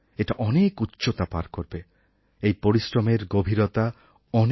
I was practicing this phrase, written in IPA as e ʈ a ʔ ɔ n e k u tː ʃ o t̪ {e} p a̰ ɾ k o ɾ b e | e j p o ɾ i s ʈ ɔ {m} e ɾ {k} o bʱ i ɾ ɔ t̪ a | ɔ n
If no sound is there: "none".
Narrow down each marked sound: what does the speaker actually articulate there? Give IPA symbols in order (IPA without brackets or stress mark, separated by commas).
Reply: a, m, ɡ